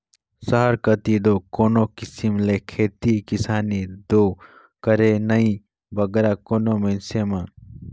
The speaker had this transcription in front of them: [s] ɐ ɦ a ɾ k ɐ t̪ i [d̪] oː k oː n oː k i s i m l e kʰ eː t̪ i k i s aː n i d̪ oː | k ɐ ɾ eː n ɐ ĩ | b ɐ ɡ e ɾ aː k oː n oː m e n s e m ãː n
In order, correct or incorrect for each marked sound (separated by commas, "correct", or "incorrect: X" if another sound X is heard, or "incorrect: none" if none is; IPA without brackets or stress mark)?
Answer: correct, correct